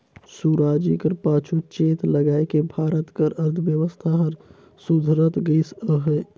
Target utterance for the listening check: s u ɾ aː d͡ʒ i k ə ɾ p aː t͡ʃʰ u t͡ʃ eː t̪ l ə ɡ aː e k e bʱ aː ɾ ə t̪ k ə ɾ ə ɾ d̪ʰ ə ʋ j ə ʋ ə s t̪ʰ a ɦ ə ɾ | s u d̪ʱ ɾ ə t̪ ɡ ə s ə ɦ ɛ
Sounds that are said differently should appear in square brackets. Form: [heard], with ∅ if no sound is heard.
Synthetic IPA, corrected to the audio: s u ɾ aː d͡ʒ i k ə ɾ p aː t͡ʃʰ u t͡ʃ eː t̪ l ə ɡ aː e k e bʱ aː ɾ ə t̪ k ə ɾ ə ɾ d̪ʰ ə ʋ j ə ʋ ə s t̪ʰ a ɦ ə ɾ | s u d̪ʱ ɾ ə t̪ ɡ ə s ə ɦ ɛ